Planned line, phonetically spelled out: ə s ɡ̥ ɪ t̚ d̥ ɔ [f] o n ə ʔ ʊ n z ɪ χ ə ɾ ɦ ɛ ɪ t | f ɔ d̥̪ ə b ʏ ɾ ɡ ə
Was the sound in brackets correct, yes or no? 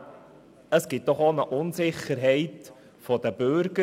no